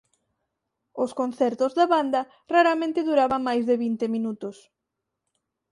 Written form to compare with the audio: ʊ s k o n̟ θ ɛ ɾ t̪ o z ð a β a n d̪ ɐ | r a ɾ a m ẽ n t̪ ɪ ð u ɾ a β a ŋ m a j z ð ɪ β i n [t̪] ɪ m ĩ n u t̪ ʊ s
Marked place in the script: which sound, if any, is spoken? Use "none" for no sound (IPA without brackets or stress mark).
t̪